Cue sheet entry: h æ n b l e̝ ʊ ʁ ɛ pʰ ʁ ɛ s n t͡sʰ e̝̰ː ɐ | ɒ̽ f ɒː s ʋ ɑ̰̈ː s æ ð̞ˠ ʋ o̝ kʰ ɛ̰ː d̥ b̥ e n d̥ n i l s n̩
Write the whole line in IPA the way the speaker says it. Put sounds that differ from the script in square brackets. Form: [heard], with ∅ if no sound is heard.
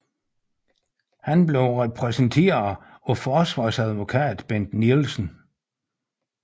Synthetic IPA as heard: h æ n b l e̝ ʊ ʁ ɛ pʰ ʁ ɛ s n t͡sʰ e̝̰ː ɐ | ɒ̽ f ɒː s ʋ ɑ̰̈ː s æ ð̞ˠ ʋ o̝ kʰ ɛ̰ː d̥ b̥ e n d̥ n i l s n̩